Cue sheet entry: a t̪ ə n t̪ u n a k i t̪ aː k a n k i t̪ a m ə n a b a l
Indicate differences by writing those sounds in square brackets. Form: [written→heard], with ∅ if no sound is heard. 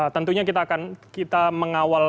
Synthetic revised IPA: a t̪ ə n t̪ u [n→ɲ] a k i t̪ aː k a n k i t̪ a m ə [n→ŋ] a [b→w] a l